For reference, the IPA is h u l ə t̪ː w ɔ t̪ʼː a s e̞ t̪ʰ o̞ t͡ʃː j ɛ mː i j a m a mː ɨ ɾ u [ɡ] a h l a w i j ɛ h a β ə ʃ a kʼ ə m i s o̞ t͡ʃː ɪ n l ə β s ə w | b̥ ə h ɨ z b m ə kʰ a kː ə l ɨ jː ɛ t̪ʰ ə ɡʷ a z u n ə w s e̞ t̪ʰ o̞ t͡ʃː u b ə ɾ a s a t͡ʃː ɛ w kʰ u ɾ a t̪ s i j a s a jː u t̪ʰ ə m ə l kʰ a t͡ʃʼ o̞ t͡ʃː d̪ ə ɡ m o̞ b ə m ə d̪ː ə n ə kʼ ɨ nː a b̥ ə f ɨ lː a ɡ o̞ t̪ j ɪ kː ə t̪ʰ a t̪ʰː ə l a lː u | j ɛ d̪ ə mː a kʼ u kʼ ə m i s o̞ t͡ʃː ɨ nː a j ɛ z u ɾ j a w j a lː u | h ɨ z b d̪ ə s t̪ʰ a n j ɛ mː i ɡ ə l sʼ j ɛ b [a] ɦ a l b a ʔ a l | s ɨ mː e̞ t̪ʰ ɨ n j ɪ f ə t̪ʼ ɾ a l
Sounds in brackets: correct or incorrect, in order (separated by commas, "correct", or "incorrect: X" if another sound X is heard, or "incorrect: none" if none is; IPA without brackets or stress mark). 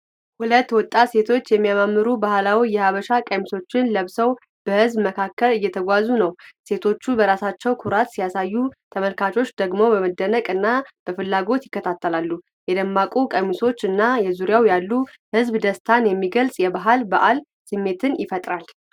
incorrect: b, correct